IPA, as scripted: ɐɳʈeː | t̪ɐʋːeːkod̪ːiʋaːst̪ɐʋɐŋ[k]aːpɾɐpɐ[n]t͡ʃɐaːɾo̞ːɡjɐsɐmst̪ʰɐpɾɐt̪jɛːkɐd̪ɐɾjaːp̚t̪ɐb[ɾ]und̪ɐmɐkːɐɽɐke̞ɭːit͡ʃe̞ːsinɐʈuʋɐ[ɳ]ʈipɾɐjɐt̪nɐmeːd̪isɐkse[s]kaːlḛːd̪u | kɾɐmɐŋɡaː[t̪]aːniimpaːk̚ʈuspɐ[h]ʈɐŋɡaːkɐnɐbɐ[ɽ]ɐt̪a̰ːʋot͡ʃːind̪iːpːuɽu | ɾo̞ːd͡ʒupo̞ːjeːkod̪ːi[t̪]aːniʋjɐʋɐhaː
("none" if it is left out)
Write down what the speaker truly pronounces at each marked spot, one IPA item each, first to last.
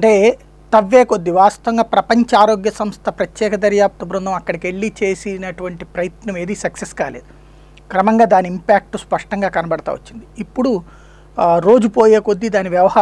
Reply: ɡ, ɲ, ɾ, ɳ, s, d̪, ʂ, ɽ, d̪

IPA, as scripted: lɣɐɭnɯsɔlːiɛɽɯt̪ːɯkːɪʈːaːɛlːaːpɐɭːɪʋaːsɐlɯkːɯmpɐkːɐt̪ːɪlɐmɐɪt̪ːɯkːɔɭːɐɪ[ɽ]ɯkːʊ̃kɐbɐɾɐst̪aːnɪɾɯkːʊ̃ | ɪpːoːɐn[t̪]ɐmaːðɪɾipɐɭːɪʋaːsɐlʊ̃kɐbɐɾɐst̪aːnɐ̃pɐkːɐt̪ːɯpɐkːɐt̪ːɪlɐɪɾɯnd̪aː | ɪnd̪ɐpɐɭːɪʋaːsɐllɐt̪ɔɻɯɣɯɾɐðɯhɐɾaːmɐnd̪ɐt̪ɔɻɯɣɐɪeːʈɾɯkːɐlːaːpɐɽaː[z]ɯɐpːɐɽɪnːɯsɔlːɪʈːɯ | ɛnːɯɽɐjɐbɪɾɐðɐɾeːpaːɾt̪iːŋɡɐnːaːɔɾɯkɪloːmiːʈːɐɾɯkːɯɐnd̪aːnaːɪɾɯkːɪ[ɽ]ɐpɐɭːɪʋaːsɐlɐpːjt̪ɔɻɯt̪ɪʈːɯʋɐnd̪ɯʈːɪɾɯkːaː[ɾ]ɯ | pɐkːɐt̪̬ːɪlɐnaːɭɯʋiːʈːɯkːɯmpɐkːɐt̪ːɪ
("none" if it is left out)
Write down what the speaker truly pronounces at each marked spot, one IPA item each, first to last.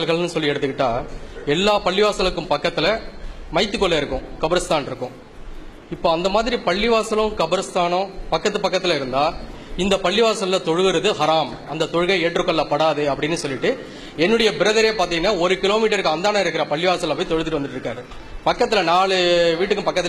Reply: ɾ, d̪, ð, ɾ, ɾ

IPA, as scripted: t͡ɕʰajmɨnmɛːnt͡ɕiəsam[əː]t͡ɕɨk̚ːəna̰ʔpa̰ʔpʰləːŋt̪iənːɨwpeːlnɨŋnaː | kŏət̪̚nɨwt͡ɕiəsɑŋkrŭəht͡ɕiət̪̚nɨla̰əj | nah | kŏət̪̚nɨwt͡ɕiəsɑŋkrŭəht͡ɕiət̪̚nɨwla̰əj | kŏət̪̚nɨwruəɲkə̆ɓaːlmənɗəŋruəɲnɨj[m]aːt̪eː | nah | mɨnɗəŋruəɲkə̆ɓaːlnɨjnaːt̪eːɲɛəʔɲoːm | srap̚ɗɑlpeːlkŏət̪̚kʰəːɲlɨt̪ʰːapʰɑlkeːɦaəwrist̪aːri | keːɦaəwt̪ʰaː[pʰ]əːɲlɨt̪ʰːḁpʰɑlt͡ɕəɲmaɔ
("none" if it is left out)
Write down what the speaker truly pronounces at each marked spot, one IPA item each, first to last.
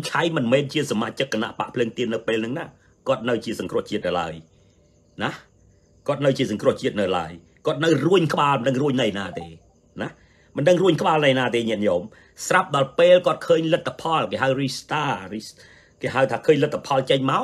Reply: aː, n, kʰ

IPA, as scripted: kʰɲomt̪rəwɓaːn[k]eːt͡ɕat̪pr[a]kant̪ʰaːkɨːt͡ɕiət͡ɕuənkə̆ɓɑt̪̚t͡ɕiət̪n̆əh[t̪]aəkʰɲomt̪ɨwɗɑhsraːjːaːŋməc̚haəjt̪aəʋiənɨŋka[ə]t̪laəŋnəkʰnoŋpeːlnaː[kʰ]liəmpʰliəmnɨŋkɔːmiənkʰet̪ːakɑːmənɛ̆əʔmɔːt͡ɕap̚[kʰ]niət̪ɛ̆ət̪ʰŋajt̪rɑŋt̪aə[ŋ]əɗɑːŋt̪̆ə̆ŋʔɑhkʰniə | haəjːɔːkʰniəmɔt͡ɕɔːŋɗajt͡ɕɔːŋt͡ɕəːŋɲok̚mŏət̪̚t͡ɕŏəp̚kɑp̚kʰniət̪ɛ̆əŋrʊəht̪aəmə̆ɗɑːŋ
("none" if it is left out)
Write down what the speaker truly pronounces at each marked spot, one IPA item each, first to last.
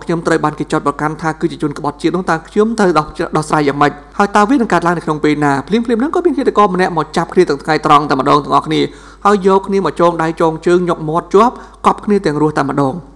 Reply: k, ɑ, t̪, ə, pʰ, kʰ, m

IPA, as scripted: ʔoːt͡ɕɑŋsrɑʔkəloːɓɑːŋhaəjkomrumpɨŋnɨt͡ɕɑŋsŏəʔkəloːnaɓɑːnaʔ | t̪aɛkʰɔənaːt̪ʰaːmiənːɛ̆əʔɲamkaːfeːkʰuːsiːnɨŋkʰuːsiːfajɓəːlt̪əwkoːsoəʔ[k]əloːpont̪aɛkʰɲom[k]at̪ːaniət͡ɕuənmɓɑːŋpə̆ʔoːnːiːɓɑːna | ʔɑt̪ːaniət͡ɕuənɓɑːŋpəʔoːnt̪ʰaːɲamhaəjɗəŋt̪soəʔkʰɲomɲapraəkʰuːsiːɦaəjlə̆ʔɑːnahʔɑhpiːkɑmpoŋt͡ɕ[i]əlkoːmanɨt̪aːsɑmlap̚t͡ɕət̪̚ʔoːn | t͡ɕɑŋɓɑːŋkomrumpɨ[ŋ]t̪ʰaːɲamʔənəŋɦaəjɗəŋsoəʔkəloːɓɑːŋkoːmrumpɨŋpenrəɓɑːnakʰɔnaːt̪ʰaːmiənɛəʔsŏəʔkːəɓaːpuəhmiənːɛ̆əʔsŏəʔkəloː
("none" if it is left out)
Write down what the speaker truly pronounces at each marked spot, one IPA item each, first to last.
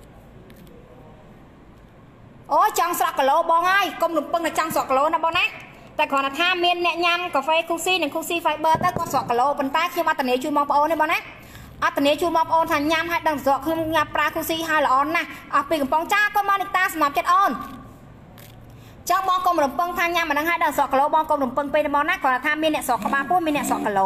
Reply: k, ʔ, a, ŋ

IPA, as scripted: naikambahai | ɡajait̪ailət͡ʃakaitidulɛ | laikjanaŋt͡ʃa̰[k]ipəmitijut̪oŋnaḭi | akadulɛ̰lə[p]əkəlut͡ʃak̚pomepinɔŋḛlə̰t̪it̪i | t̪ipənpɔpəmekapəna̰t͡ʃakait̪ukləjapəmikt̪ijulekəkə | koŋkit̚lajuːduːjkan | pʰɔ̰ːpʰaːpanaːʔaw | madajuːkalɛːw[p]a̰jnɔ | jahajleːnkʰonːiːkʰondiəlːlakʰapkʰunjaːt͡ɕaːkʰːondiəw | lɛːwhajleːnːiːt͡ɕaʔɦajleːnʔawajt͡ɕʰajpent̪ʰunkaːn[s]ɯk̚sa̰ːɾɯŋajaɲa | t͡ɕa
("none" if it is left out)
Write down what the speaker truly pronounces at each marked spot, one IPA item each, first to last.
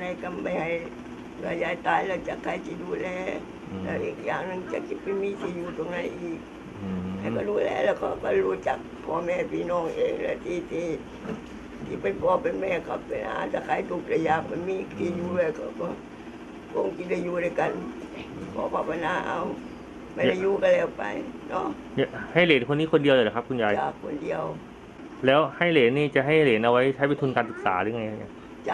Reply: k, k, p, s

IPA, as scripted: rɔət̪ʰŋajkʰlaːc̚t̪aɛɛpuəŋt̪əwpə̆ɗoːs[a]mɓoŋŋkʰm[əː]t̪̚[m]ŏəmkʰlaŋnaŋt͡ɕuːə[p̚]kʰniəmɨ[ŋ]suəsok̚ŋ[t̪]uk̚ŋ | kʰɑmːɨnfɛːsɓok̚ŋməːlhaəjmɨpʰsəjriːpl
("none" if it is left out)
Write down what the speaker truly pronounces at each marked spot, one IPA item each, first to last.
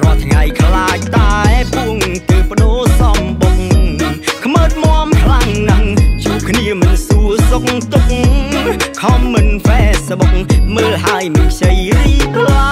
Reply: ɑ, əː, m, p̚, n, t̪

